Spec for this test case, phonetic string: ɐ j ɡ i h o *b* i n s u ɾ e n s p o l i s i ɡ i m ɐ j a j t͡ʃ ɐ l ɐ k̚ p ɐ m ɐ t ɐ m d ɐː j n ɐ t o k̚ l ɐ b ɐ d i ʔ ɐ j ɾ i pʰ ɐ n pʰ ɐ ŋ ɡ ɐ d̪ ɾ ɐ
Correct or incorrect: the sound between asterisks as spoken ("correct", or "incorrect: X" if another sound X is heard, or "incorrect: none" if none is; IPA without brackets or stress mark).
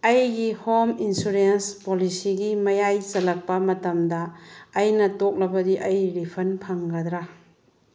incorrect: m